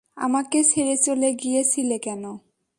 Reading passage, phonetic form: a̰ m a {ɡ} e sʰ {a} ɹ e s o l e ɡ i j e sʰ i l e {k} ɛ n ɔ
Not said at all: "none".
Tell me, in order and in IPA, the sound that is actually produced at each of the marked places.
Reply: k, e, k

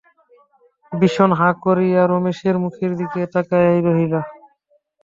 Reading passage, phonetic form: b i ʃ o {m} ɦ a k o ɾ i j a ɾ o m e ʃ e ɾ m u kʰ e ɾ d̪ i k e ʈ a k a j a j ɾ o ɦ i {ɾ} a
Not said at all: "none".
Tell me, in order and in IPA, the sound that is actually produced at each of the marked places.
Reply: n, l

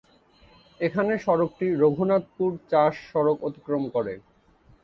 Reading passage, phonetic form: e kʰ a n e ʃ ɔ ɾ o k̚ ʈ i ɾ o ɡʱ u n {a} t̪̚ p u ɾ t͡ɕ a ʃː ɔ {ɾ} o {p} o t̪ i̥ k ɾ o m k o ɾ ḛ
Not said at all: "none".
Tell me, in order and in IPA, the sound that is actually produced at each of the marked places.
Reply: a, ɾ, k

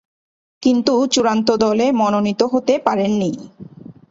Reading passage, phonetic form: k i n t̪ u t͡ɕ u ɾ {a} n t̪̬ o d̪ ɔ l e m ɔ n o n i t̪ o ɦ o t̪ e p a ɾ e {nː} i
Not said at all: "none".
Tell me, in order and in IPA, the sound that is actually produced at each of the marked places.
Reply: a, nː

